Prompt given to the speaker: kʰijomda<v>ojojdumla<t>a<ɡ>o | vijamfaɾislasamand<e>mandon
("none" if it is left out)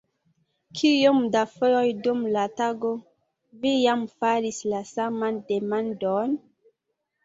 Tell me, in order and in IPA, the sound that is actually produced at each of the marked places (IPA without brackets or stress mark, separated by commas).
f, t, ɡ, e